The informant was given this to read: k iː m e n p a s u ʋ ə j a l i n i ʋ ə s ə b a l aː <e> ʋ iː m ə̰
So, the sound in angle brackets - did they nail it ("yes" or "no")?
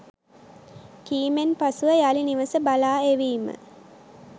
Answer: yes